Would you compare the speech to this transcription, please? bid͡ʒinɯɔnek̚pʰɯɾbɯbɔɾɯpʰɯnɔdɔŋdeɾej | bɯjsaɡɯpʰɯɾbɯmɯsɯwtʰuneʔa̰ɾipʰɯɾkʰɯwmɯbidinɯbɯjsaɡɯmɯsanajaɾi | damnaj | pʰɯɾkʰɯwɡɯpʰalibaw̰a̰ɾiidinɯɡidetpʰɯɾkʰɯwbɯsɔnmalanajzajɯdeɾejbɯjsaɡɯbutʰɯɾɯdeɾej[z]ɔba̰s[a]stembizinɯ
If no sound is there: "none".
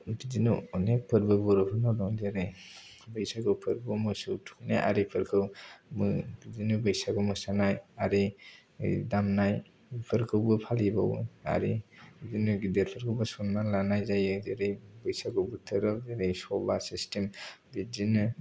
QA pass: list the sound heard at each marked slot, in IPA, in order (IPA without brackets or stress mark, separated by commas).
s, i